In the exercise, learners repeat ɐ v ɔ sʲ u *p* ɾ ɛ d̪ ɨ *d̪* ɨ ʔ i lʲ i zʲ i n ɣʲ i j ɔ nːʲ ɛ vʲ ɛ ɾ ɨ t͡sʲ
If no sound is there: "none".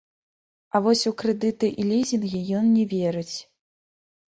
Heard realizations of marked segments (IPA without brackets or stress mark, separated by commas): k, t̪